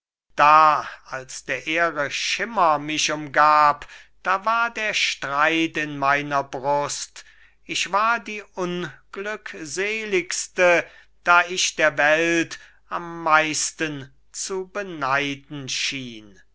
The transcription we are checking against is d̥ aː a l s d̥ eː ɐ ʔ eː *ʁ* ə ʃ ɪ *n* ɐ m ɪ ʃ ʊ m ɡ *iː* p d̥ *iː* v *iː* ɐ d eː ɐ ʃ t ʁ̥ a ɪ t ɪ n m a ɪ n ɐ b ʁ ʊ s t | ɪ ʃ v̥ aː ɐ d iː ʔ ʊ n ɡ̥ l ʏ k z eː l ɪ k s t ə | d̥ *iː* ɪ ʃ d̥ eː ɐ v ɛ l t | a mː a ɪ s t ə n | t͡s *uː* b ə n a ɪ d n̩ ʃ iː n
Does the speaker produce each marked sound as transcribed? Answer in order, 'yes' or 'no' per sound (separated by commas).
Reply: yes, no, no, no, no, no, no